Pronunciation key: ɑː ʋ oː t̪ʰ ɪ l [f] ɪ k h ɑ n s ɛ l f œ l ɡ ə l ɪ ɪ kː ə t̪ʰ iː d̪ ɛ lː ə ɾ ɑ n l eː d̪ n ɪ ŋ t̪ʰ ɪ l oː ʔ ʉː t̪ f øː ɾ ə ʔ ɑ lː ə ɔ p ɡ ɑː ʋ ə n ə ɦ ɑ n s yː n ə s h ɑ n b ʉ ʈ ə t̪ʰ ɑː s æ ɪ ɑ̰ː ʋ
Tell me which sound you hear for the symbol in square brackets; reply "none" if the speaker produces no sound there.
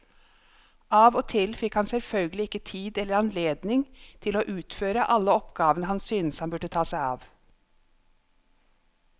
f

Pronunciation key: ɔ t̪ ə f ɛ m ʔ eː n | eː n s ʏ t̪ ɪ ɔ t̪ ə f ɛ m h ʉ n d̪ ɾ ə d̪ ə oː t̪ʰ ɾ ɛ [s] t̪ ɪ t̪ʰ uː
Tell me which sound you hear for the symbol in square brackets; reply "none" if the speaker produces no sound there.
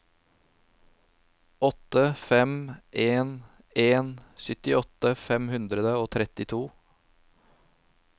none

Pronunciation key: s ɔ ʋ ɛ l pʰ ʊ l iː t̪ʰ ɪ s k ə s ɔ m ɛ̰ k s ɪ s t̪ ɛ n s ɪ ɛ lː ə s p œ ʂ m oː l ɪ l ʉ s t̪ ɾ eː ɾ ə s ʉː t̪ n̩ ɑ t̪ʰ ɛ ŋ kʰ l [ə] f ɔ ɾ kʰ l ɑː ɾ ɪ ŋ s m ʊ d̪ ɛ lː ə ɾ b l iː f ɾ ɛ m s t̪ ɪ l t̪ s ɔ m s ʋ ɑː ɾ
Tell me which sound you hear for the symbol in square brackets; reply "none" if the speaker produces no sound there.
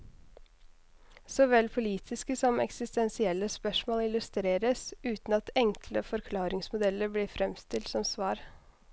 ə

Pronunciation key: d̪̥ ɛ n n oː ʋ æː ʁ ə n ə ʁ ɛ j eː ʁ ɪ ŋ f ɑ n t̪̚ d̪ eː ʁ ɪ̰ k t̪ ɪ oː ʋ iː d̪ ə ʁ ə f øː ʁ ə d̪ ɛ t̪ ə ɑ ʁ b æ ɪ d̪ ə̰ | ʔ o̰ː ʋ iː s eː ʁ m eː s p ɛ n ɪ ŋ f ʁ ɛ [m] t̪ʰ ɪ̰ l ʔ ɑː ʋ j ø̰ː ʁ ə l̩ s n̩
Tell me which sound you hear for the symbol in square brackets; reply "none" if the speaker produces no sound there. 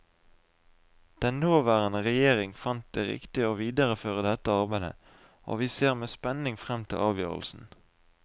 m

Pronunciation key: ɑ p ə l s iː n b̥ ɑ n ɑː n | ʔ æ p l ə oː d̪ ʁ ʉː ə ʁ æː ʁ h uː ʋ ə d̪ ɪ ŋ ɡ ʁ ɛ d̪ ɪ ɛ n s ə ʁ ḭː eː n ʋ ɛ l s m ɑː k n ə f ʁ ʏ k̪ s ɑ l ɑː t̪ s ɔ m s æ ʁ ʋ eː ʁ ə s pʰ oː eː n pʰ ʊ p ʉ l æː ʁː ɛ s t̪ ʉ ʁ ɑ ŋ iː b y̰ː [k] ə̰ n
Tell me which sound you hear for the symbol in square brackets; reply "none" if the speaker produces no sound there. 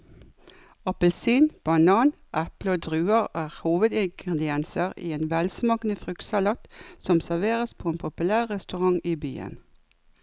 none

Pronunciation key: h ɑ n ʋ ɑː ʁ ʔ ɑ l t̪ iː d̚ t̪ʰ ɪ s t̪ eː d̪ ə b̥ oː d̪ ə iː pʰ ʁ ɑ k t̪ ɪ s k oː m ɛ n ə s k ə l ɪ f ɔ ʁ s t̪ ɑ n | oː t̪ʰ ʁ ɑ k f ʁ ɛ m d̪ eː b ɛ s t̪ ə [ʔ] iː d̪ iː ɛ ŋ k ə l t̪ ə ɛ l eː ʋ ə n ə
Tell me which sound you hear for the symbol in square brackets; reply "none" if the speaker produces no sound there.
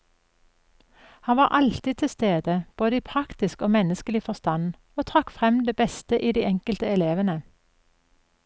ʔ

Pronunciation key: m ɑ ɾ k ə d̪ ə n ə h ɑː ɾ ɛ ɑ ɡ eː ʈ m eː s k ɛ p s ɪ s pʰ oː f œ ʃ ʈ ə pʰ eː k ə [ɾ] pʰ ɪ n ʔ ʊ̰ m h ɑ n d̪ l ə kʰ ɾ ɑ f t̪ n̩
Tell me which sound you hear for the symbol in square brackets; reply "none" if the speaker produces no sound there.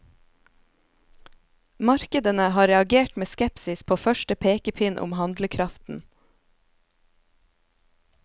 none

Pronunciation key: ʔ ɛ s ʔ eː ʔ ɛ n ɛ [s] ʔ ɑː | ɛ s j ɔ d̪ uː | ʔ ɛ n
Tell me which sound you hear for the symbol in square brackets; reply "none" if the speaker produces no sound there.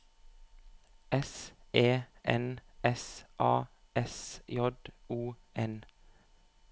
s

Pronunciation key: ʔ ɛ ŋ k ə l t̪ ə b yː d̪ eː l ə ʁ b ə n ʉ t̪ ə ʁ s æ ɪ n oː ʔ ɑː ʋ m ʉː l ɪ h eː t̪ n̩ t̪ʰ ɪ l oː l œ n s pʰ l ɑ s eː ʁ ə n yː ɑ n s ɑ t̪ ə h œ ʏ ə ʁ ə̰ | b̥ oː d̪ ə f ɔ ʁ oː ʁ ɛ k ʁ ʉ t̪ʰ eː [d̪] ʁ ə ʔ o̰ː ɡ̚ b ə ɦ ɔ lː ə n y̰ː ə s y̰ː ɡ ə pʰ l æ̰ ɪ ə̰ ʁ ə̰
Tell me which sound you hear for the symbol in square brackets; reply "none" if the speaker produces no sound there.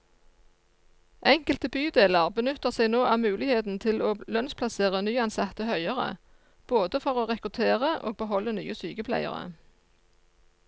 none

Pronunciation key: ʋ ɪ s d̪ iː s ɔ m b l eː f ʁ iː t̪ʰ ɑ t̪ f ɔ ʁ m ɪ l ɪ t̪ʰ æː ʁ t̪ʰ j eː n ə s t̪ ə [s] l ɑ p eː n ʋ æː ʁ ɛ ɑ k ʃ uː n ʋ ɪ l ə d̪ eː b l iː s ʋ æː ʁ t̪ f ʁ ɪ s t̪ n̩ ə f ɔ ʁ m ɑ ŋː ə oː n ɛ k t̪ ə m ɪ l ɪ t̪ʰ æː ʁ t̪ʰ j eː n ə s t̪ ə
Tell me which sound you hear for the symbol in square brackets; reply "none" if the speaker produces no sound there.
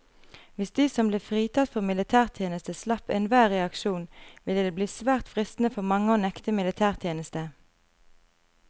s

